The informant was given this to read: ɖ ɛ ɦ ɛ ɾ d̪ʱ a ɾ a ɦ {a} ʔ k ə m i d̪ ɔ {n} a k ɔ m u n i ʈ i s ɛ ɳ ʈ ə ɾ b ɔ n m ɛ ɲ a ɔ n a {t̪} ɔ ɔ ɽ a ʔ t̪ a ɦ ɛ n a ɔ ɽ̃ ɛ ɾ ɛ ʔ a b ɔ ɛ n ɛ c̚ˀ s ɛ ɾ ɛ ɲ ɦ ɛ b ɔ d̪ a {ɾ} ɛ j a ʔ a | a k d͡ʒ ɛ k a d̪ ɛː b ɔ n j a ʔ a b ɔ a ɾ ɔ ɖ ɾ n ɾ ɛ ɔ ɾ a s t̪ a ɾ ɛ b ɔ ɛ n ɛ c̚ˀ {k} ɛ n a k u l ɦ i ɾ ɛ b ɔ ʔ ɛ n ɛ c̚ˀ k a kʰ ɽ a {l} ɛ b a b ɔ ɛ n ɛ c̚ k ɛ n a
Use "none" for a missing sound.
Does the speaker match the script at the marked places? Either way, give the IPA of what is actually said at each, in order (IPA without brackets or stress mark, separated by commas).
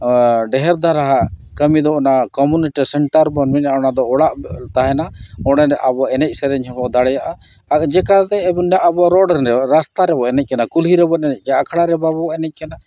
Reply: a, n, d̪, ɽ, k, ɾ